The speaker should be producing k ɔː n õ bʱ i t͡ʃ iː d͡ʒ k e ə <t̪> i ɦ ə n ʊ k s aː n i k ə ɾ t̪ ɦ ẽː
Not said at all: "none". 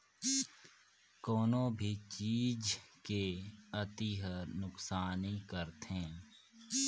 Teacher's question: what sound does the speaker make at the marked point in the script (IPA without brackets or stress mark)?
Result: t̪